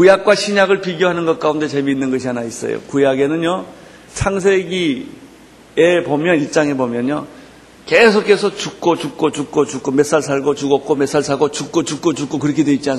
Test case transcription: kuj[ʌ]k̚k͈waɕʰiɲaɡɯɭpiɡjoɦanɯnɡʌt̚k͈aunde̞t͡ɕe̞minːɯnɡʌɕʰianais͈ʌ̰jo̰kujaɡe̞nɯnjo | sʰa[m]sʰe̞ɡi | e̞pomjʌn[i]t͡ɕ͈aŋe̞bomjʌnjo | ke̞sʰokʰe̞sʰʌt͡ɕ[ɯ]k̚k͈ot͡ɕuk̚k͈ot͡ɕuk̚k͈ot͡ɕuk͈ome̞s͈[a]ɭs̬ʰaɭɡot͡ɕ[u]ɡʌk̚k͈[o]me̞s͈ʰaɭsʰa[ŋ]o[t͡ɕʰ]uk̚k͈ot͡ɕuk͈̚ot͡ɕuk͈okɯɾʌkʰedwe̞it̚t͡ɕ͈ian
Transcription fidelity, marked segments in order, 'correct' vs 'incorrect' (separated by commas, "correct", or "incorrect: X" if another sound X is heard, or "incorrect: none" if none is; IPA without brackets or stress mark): incorrect: a, incorrect: ŋ, correct, incorrect: u, correct, correct, correct, incorrect: ɡ, incorrect: t͡ɕ